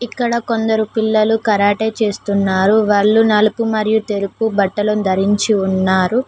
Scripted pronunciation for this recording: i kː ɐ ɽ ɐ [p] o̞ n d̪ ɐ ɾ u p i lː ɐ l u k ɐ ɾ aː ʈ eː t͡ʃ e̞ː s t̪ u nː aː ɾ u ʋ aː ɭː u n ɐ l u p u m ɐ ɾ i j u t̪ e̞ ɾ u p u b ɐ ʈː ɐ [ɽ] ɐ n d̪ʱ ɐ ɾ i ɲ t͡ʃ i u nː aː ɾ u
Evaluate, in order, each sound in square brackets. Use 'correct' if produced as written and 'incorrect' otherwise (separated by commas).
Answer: incorrect, incorrect